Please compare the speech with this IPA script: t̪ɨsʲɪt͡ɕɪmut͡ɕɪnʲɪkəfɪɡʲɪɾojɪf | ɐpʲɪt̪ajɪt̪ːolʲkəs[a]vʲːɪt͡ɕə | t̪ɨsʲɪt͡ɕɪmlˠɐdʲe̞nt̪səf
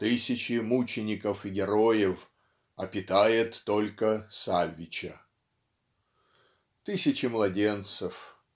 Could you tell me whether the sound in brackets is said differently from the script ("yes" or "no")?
no